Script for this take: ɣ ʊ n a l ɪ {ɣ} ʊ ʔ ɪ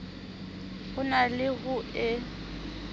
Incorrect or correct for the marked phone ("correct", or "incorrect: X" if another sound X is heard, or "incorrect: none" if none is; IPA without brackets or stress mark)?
correct